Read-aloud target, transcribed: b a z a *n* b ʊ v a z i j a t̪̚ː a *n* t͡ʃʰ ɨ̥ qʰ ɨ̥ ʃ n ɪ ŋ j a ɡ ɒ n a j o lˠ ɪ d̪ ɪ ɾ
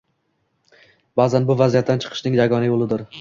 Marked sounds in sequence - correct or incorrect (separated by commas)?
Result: correct, correct